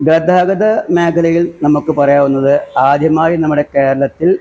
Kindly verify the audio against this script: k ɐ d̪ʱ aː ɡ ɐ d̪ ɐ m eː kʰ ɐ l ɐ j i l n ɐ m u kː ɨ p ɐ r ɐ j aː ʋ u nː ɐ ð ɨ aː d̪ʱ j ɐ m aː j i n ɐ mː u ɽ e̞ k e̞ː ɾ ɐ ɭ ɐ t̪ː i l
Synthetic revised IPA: ɡ ɐ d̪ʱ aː ɡ ɐ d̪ ɐ m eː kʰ ɐ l ɐ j i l n ɐ m u kː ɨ p ɐ r ɐ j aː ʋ u nː ɐ ð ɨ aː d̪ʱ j ɐ m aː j i n ɐ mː u ɽ e̞ k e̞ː ɾ ɐ ɭ ɐ t̪ː i l